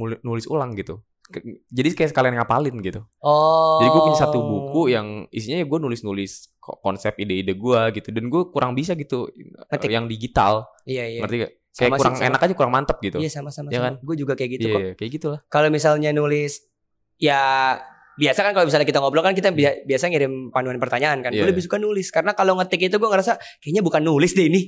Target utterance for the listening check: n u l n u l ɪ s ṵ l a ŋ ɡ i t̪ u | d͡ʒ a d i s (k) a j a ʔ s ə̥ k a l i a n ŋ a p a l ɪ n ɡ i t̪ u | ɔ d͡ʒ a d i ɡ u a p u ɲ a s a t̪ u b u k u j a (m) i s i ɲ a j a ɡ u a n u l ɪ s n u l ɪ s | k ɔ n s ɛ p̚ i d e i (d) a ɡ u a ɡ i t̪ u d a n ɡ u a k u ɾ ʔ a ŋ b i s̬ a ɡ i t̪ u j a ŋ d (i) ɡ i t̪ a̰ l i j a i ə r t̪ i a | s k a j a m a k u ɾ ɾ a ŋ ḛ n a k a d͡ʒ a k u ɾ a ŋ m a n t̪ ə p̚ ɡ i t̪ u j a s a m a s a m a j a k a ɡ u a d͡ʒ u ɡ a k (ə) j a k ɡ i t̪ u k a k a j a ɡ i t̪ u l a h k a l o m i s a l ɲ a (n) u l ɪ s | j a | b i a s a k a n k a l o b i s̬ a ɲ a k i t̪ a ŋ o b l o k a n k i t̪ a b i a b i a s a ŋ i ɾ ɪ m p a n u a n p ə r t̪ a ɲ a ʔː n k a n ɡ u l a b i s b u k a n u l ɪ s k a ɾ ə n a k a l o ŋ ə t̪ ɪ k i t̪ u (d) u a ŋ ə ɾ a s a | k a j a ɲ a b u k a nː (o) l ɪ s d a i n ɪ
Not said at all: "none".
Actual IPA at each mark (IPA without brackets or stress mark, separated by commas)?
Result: k, ŋ, d, i, a, n, ɡ, u